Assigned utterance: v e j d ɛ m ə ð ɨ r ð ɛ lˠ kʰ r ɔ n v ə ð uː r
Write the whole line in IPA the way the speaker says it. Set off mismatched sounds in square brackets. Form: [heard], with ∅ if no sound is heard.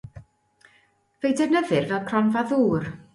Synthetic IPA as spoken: v e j d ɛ [n] ə ð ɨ r [v] ɛ lˠ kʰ r ɔ n v [a] ð uː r